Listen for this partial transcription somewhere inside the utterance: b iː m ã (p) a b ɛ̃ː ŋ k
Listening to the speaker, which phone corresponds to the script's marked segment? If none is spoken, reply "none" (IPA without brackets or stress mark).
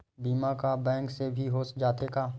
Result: k